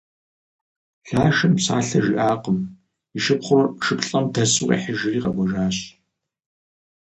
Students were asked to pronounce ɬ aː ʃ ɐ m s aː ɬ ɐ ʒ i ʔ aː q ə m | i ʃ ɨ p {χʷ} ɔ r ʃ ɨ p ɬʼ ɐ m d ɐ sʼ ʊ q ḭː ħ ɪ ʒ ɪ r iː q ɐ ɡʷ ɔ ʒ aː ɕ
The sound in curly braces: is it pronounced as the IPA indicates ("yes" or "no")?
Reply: yes